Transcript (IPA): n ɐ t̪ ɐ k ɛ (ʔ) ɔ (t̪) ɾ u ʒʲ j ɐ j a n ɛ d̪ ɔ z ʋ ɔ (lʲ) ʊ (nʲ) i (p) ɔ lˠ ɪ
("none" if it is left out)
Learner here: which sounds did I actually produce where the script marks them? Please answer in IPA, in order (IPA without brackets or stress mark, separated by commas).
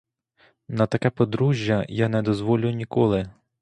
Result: p, d̪, lʲ, nʲ, k